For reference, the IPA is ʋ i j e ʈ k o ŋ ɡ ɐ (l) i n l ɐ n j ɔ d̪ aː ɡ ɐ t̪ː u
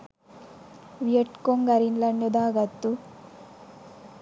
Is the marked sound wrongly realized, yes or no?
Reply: yes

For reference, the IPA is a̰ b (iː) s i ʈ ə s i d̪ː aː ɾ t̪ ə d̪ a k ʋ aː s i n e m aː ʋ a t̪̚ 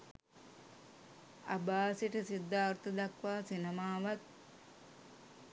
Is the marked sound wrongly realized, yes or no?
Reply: yes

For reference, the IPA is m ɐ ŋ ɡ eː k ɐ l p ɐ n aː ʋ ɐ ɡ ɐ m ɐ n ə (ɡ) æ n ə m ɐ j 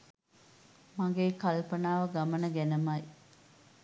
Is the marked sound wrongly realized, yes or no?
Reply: no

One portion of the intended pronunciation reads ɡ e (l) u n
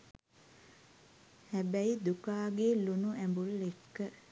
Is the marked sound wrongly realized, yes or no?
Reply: no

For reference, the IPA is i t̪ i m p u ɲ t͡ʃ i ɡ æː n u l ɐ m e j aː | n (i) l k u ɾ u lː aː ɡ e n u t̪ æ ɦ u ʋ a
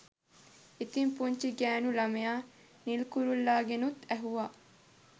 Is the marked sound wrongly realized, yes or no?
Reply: no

